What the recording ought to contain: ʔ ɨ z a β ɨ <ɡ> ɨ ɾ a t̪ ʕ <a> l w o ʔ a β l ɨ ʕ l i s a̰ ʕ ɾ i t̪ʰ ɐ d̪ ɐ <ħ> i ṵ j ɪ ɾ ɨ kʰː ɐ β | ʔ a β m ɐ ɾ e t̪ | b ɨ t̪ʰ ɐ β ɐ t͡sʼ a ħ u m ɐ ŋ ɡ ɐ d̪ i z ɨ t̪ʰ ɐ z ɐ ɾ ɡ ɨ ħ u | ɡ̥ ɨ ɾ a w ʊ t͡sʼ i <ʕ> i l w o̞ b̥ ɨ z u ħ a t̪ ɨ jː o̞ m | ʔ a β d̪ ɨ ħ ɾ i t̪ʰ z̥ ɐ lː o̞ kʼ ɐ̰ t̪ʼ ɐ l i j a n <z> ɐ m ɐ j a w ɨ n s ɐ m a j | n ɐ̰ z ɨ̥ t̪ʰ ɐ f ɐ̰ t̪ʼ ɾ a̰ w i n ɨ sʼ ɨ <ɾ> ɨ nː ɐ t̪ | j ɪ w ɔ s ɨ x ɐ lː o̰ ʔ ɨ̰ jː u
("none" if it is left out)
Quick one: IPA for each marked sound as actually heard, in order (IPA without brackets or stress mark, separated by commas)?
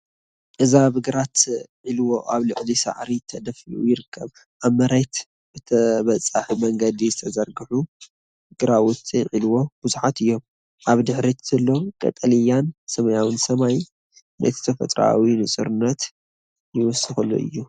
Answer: ɡ, i, f, ʕ, s, ɾ